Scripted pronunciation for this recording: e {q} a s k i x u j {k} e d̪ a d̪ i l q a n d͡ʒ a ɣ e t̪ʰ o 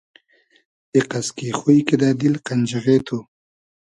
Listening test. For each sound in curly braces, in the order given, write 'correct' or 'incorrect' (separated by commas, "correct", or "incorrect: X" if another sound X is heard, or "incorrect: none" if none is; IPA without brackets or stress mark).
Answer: correct, correct